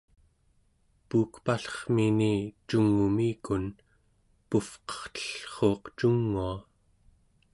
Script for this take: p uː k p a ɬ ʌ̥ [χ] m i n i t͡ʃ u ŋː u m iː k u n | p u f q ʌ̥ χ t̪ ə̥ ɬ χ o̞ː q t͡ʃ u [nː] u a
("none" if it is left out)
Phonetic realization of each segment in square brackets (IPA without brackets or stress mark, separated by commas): χ, ŋː